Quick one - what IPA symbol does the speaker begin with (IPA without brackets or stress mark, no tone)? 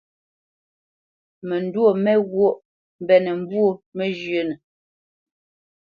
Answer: m